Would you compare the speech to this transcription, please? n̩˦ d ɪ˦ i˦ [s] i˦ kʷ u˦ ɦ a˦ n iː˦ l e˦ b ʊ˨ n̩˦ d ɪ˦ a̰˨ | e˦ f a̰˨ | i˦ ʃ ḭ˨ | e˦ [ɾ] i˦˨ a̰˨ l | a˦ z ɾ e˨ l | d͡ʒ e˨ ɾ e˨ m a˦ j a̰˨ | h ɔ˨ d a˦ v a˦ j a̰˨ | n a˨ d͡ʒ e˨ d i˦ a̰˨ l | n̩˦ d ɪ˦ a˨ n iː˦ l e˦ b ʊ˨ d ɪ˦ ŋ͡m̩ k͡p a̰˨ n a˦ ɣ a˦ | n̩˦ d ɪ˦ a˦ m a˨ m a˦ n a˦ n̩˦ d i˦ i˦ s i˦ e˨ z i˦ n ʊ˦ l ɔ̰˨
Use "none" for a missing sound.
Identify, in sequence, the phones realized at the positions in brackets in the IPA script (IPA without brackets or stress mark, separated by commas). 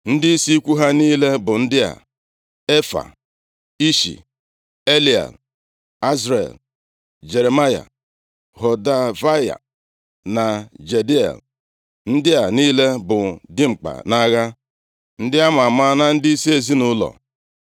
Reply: s, l